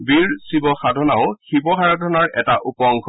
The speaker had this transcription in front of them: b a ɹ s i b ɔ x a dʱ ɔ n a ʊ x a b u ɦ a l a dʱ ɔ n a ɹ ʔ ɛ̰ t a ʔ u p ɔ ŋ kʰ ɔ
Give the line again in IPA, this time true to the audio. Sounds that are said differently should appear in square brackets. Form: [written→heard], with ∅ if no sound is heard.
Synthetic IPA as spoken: b [a→i] ɹ s i b ɔ x a dʱ ɔ n a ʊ x [a→i] b [u→ɔ] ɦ a [l→ɹ] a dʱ ɔ n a ɹ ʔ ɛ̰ t a ʔ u p ɔ ŋ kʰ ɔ